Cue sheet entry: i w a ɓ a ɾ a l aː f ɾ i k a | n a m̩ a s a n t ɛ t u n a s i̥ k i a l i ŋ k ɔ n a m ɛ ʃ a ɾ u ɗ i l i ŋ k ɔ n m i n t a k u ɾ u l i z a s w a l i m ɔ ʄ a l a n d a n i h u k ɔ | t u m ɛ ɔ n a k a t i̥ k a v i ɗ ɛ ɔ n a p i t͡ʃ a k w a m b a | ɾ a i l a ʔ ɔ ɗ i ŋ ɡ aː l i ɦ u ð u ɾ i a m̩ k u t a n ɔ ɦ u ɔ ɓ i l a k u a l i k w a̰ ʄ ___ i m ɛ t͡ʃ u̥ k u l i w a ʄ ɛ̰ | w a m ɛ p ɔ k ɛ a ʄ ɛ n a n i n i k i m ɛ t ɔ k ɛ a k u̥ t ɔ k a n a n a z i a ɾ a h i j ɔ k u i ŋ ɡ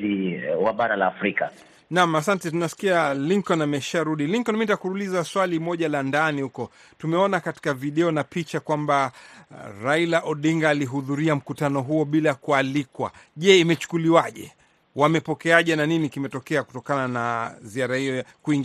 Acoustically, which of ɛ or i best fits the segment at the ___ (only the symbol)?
ɛ